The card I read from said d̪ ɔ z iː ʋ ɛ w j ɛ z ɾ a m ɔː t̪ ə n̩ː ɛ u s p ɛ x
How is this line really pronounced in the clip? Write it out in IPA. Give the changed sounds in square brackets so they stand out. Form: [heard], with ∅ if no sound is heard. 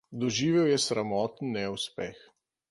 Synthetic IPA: d̪ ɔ [ʒ] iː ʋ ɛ w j ɛ [s] ɾ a m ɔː t̪ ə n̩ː ɛ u s p ɛ x